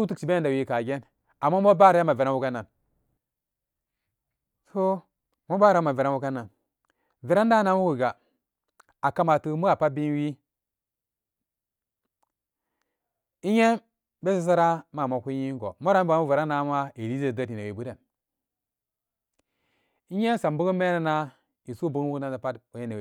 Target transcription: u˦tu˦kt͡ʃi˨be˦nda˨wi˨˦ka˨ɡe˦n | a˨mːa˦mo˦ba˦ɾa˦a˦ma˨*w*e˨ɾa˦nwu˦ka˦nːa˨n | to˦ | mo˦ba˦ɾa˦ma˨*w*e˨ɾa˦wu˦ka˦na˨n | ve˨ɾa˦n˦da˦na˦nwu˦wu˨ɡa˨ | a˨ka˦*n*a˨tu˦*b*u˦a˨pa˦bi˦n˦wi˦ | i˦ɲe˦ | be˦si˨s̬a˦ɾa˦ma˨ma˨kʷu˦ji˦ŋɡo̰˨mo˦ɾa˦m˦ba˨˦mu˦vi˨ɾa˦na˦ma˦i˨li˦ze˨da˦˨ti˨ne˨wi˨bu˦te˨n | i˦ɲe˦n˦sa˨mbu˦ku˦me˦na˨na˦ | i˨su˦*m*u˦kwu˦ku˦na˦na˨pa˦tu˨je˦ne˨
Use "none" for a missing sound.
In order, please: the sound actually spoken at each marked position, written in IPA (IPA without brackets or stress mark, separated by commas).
v, v, m, m, b